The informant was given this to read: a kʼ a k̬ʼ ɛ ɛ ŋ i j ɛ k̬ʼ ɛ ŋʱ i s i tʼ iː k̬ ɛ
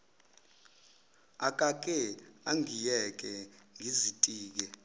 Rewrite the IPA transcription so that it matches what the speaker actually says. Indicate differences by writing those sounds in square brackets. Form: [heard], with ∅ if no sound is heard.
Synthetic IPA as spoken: a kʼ a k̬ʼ ɛ [a] ŋ i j ɛ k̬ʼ ɛ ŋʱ i [z] i tʼ iː k̬ ɛ

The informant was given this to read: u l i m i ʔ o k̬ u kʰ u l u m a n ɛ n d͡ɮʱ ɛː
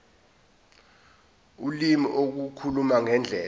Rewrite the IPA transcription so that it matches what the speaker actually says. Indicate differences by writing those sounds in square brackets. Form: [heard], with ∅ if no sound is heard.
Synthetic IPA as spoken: u l i m i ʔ o k̬ u kʰ u l u m a [ŋ] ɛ n d͡ɮʱ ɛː

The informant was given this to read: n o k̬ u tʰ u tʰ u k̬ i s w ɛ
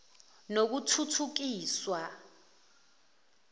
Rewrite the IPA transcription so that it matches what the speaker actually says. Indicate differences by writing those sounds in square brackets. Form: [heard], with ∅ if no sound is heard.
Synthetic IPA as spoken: n o k̬ u tʰ u tʰ u k̬ [iː] s w [a]

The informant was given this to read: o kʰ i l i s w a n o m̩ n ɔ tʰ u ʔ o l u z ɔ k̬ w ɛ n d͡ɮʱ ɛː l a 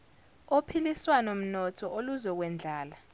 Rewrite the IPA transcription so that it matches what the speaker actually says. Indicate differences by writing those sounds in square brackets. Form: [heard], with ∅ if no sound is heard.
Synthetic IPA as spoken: o [pʰ] i l i s w a n o m̩ n ɔ tʰ [ɔ] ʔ o l u z ɔ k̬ w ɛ n d͡ɮʱ [aː] l a

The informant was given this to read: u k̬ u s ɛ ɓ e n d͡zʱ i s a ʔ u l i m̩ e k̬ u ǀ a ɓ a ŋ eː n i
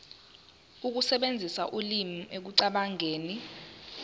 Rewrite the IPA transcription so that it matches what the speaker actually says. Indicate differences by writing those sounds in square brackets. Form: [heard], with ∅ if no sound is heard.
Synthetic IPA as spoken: u k̬ u s ɛ ɓ e n d͡zʱ i s a ʔ u l i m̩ e k̬ u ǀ a ɓ a ŋ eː n i

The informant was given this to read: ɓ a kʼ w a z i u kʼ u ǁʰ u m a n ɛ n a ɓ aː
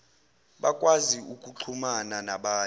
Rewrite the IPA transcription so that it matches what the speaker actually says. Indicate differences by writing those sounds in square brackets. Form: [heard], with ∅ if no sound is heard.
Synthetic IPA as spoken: ɓ a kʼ w a z i u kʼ u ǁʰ u m a n [a] n a ɓ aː

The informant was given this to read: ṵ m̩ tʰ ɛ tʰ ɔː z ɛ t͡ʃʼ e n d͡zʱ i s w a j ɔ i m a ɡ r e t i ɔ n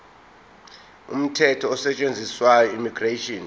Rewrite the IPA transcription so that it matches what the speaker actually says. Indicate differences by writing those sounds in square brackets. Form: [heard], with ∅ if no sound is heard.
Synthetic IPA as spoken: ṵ m̩ tʰ ɛ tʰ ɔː [s] ɛ t͡ʃʼ e n d͡zʱ i s w a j ɔ i m [i] ɡ r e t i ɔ n

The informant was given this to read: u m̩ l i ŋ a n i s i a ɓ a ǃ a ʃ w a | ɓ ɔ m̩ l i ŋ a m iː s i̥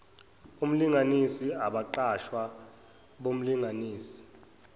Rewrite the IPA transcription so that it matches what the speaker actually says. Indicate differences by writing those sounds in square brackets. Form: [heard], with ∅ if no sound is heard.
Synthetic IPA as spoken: u m̩ l i ŋ a n i s i a ɓ a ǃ a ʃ w a | ɓ [o] m̩ l i ŋ a [n] iː s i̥

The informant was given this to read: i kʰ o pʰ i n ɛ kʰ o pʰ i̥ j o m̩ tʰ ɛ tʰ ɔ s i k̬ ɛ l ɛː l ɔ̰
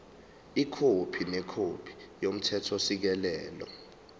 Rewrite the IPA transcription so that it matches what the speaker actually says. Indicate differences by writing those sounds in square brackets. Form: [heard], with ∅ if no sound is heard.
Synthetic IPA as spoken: i kʰ o pʰ i n ɛ kʰ o pʰ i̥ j o m̩ tʰ ɛ tʰ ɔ s i k̬ ɛ l ɛː l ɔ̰

